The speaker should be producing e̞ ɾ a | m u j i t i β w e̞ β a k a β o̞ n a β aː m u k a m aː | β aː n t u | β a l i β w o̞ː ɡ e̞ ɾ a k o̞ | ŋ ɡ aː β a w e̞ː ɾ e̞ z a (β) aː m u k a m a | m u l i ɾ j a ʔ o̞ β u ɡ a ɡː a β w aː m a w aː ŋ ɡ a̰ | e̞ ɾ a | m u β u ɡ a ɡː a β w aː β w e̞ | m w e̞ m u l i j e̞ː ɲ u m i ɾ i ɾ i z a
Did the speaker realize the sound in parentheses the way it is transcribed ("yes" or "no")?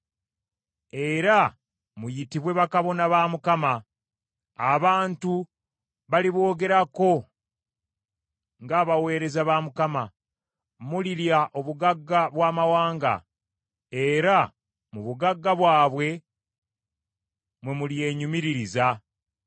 yes